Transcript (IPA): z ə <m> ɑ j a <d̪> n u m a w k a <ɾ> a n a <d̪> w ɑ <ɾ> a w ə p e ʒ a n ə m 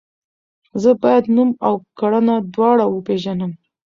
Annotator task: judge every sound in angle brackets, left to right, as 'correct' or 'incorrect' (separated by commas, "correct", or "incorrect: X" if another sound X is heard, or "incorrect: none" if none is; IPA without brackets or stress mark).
incorrect: b, correct, incorrect: ɽ, correct, incorrect: ɽ